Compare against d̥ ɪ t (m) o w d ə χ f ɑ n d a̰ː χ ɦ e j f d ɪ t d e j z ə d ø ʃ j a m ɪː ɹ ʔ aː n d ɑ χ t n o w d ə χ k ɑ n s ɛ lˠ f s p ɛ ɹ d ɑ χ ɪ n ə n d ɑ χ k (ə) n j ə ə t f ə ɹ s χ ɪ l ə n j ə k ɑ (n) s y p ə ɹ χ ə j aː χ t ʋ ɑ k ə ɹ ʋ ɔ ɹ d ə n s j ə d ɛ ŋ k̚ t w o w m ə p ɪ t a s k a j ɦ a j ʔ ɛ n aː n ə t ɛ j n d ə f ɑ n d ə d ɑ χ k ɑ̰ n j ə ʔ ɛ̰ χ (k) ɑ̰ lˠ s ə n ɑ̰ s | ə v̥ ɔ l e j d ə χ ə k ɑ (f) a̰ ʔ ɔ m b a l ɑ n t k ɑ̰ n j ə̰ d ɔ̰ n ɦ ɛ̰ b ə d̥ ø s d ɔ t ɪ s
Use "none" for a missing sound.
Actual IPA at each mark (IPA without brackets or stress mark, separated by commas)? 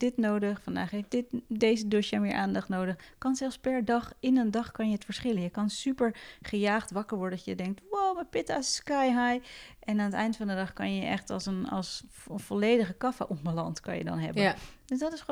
n, ɑ, n, t, f